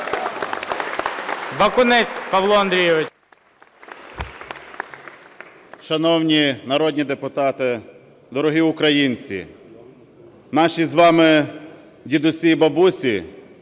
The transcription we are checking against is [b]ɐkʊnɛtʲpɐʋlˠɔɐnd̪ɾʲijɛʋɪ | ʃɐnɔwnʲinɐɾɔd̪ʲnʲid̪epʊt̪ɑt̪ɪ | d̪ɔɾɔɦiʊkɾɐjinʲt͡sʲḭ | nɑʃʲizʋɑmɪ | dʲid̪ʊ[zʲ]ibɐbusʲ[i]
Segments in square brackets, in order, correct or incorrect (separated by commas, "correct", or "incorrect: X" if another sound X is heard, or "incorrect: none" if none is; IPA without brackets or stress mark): correct, incorrect: sʲ, correct